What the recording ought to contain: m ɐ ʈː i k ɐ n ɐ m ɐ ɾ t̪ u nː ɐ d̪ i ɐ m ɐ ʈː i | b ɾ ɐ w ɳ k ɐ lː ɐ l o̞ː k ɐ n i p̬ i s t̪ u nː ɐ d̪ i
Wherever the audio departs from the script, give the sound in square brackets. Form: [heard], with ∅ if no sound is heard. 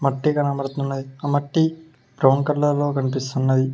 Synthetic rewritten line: m ɐ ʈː i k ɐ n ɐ m ɐ ɾ t̪ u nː ɐ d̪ i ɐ m ɐ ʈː i | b ɾ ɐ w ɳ k ɐ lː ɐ l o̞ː k ɐ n i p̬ i s t̪ u nː ɐ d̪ i

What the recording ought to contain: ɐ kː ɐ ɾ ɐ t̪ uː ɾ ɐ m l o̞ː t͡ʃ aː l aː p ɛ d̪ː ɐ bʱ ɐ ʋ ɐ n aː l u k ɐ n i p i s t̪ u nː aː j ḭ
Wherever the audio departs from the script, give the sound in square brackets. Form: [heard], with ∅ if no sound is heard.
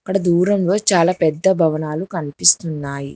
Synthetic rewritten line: ɐ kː ɐ [ɽ] ɐ [d̪] uː ɾ ɐ m l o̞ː t͡ʃ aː l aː p ɛ d̪ː ɐ bʱ ɐ ʋ ɐ n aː l u k ɐ n i p i s t̪ u nː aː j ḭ

